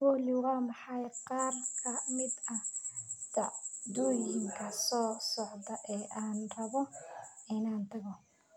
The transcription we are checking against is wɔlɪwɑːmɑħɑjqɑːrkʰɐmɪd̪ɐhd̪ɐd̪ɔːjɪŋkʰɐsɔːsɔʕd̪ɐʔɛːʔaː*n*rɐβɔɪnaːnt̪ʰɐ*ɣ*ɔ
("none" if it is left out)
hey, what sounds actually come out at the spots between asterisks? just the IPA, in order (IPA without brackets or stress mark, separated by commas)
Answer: n, ɣ